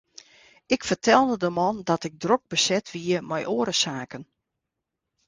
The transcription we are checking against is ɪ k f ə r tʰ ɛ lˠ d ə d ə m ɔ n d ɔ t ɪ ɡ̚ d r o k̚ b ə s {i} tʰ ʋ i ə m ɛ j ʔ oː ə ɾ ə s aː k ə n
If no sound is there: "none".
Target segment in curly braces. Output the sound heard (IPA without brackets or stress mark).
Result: ɛ